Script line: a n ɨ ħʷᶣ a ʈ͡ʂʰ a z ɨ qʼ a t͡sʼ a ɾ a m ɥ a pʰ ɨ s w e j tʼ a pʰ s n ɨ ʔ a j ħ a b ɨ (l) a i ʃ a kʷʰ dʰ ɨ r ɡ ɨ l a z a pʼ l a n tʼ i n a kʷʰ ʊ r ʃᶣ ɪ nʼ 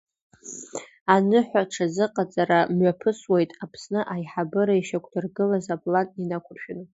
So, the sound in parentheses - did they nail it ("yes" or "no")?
no